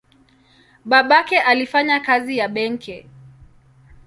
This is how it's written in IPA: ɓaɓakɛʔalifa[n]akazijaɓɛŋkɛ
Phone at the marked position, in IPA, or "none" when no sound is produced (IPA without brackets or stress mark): ɲ